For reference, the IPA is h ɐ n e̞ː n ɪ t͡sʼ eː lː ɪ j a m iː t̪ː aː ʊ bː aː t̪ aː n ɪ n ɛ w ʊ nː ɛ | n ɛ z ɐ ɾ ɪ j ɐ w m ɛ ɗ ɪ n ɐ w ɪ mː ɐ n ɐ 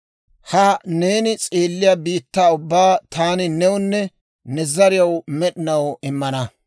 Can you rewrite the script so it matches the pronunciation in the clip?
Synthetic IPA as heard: h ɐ n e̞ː n ɪ t͡sʼ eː lː ɪ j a b iː t̪ː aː ʊ bː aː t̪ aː n ɪ n ɛ w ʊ nː ɛ | n ɛ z ɐ ɾ ɪ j ɐ w m ɛ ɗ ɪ n ɐ w ɪ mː ɐ n ɐ